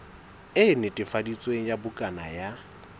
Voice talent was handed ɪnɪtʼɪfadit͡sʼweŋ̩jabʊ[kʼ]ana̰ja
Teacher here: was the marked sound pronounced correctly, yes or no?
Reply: yes